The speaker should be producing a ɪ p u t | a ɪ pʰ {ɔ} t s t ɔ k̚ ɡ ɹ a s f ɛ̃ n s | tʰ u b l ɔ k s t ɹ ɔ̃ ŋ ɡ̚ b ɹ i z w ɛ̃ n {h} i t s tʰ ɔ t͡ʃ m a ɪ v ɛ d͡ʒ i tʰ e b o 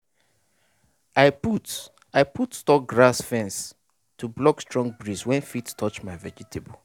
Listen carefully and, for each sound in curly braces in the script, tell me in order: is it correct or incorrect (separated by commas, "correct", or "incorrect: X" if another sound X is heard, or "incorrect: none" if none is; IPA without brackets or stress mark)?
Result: incorrect: u, incorrect: f